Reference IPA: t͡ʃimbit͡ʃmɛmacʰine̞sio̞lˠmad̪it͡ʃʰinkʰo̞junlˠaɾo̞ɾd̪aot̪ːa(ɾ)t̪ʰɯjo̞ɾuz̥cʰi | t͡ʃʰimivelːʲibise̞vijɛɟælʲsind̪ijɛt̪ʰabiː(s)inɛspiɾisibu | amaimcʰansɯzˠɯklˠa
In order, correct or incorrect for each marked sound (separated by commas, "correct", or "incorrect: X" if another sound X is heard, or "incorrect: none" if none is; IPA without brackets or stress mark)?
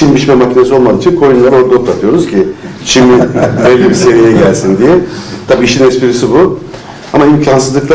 incorrect: none, incorrect: ʃ